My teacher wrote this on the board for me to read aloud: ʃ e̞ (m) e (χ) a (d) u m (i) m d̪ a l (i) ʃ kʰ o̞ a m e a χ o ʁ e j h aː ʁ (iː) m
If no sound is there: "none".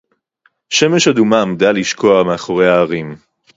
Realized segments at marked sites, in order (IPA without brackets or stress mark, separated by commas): m, ʃ, d, a, i, i